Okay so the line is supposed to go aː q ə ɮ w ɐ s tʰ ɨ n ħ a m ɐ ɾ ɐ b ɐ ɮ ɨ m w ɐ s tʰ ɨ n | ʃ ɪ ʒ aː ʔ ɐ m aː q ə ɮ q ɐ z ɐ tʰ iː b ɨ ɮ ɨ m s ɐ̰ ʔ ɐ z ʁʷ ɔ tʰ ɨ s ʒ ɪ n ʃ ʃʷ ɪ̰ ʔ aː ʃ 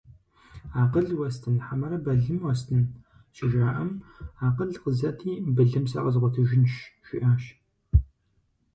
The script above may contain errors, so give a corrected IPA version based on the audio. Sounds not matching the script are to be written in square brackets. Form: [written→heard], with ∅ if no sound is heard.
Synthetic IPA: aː q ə ɮ w ɐ s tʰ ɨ n ħ a m ɐ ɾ ɐ b ɐ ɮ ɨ m w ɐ s tʰ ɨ n | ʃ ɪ ʒ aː ʔ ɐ m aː q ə ɮ q [ɐ→ə] z ɐ tʰ iː b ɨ ɮ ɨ m s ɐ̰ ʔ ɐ z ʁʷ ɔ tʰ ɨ [s→∅] ʒ ɪ n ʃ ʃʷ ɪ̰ ʔ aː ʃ